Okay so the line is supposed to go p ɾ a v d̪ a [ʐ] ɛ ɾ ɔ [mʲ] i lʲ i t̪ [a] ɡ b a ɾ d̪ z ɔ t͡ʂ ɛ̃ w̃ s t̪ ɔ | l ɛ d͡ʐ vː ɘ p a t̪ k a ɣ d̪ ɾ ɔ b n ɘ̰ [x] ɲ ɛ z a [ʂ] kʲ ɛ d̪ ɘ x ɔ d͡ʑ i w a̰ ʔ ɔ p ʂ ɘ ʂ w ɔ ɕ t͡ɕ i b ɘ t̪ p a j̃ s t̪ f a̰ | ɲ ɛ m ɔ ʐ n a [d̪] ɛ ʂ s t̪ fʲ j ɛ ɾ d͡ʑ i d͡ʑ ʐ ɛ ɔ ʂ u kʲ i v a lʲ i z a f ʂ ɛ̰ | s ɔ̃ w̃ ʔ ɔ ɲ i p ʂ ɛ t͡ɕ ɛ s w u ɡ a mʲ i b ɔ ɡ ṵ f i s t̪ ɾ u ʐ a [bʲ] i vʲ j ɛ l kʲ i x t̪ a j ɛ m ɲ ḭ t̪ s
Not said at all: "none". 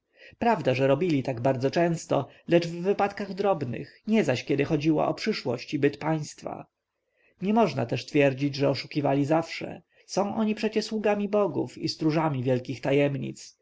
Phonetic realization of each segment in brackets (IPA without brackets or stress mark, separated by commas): ʐ, bʲ, a, x, ɕ, t̪, mʲ